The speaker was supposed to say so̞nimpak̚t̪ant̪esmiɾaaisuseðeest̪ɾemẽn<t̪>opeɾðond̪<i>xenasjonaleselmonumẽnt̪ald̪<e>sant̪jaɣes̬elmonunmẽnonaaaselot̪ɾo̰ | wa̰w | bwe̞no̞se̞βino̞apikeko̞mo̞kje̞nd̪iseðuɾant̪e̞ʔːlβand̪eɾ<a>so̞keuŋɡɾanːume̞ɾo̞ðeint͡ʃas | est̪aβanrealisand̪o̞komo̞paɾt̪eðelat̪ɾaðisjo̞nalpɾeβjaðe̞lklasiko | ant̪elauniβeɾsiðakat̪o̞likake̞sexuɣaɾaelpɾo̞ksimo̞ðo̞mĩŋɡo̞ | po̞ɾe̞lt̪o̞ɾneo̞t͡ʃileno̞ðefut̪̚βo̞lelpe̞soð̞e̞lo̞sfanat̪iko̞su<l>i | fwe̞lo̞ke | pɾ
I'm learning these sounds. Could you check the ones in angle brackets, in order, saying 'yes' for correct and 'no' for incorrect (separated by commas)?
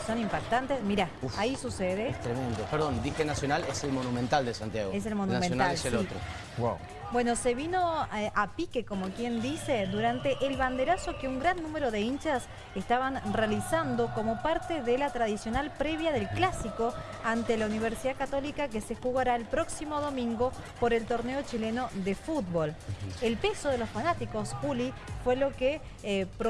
no, yes, yes, yes, yes